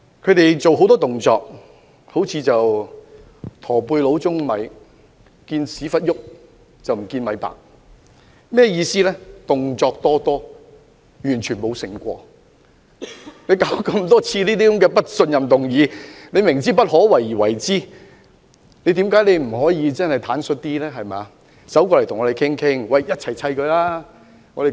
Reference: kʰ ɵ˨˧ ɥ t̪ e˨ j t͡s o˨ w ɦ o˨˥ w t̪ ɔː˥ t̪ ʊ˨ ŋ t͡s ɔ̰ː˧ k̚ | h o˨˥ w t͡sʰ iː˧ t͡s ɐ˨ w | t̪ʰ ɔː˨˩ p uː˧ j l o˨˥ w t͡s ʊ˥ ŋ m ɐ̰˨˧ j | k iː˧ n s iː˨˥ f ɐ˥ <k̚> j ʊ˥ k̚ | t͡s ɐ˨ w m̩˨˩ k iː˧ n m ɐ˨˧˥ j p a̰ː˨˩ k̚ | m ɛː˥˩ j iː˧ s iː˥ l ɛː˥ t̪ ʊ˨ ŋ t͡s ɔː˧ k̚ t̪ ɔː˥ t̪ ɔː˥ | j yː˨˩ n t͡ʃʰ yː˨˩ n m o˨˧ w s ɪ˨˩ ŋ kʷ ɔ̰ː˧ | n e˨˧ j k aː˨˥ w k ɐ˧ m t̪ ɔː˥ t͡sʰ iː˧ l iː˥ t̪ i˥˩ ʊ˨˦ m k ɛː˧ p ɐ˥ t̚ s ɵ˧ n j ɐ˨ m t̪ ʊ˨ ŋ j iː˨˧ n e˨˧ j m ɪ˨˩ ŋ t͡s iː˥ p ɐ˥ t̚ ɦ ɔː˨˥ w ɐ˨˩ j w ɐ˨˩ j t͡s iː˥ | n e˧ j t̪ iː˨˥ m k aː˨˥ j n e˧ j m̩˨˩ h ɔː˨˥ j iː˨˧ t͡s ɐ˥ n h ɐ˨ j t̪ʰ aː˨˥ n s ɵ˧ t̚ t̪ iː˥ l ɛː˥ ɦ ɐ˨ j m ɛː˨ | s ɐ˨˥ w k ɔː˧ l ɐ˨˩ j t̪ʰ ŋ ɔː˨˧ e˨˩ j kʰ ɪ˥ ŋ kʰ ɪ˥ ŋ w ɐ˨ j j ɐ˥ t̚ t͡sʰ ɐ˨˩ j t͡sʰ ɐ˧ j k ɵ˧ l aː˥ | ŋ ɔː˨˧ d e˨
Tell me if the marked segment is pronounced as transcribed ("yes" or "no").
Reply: no